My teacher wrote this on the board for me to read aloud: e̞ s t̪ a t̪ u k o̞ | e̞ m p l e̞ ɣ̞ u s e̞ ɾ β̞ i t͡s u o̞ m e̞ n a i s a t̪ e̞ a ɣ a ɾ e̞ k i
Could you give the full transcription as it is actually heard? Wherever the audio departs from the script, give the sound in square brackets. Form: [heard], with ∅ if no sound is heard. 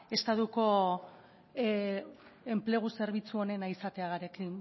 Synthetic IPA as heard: e̞ s t̪ a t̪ u k o̞ | e̞ m p l e̞ ɣ̞ u s e̞ ɾ β̞ i t͡s u o̞ [n] e̞ n a i s a t̪ e̞ a ɣ a ɾ e̞ k i